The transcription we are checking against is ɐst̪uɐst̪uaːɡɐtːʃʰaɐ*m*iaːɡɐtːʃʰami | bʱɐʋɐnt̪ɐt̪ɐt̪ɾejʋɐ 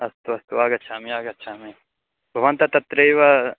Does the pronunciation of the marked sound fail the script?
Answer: no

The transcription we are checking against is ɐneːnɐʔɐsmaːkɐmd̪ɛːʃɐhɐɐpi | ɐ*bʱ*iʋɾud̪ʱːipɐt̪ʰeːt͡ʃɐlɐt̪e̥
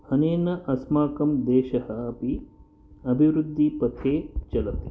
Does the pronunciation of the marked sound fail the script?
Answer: no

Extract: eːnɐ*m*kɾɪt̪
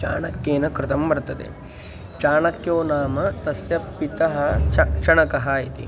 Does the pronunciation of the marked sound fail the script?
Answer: yes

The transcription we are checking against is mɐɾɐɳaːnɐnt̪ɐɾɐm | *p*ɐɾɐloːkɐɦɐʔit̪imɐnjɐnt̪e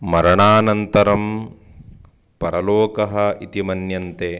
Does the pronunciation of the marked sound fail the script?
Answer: no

